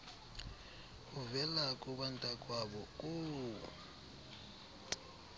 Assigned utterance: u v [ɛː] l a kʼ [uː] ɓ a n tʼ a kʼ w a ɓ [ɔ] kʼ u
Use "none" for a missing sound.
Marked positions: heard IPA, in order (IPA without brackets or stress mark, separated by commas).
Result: ɛ, u, ɔ